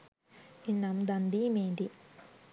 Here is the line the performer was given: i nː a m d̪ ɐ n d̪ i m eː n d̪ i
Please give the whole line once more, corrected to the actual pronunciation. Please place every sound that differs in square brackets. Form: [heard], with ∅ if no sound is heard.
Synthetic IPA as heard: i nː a m d̪ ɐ n d̪ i m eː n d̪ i